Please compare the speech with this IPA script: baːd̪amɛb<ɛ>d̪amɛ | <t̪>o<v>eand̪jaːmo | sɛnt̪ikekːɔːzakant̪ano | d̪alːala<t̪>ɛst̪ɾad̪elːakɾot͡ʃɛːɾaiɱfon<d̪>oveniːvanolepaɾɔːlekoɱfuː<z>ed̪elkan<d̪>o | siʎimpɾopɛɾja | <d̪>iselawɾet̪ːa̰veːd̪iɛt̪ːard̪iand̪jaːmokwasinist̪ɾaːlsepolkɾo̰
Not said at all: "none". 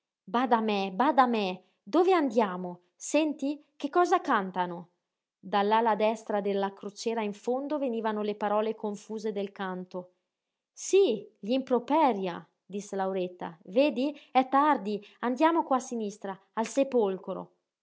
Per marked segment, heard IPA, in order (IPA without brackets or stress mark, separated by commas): a, d̪, v, d̪, d̪, z, t̪, d̪